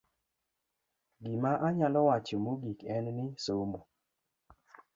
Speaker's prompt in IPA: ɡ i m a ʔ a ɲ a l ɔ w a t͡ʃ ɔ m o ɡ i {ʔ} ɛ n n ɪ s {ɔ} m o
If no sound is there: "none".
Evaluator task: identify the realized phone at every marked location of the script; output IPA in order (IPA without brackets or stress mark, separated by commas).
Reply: k, o